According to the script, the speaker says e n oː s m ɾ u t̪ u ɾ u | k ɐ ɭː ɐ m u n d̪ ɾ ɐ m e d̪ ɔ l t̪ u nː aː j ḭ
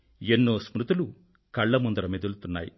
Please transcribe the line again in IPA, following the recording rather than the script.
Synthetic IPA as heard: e nː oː s m ɾ u t̪ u l u | k ɐ ɭː ɐ m u n d̪ ɾ ɐ m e d̪ u l t̪ u nː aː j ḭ